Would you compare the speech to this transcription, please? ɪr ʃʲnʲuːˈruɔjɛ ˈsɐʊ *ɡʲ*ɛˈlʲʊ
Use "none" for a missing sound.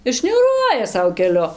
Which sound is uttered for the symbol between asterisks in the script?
kʲ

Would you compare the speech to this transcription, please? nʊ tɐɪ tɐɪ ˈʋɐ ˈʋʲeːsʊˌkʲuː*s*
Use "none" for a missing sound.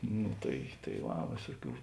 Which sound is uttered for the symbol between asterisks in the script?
none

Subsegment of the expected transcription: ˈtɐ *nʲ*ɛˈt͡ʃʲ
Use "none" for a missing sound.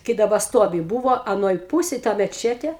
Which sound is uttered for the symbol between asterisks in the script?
mʲ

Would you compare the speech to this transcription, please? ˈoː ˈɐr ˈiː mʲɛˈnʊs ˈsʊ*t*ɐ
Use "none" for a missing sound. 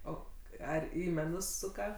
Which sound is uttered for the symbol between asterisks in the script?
k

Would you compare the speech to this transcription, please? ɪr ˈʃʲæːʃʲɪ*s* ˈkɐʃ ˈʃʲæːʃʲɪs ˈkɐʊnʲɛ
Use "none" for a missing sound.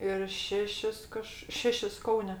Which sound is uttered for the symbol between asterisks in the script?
s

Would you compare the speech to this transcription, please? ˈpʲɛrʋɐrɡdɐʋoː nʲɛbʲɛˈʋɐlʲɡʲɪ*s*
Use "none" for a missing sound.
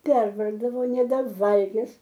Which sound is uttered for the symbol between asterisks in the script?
s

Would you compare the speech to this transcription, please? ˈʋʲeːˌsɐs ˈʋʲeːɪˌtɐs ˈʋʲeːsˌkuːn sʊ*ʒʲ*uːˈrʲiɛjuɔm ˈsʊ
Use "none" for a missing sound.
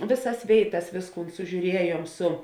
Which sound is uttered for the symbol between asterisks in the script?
ʒʲ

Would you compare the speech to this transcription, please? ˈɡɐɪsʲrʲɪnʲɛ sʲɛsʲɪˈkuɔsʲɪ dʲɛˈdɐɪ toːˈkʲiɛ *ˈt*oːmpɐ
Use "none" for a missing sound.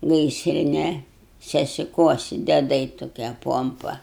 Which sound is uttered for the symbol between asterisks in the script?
p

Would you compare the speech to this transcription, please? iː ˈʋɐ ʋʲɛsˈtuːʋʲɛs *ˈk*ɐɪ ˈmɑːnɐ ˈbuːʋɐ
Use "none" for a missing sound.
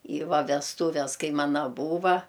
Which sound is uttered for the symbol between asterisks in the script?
k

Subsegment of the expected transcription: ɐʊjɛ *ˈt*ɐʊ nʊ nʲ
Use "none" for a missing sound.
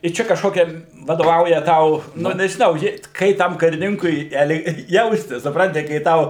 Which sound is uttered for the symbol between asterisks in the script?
t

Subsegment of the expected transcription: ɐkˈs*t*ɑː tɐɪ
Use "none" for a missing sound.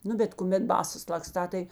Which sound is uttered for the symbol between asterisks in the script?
t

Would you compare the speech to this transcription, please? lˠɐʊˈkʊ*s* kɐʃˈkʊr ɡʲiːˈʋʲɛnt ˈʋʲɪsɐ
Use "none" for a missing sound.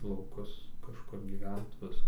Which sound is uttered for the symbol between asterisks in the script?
s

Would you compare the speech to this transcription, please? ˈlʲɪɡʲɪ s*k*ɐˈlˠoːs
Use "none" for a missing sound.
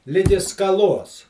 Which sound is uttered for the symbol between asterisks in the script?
k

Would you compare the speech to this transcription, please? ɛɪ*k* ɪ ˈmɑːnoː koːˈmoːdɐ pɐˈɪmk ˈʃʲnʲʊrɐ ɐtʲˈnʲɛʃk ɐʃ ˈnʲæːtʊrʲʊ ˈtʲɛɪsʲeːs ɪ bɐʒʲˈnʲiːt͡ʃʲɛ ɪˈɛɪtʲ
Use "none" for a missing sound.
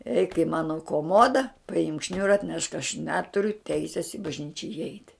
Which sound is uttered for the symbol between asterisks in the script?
k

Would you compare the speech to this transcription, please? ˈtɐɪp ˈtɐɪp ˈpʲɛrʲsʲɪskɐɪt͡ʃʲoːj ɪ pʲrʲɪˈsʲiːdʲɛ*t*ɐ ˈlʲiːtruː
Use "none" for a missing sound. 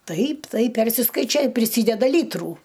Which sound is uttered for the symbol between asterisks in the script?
d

